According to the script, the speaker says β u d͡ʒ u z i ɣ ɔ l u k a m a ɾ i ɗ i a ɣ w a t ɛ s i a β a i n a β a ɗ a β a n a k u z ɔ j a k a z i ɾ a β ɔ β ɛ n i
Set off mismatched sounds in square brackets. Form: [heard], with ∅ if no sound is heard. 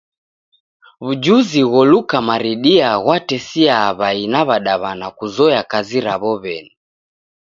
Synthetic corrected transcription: β u d͡ʒ u z i ɣ ɔ l u k a m a ɾ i ɗ i a ɣ w a t ɛ s i a β a i n a β a ɗ a β a n a k u z ɔ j a k a z i ɾ a β ɔ β ɛ n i